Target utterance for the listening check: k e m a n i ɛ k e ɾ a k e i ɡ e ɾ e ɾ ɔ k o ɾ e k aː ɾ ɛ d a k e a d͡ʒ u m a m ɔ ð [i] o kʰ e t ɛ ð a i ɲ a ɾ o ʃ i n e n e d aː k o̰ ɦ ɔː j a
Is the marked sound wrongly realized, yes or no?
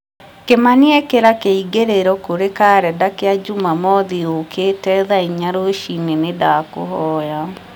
no